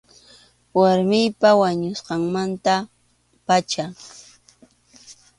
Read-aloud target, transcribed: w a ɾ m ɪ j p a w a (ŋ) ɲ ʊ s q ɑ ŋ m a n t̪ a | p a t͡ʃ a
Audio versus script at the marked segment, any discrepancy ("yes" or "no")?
yes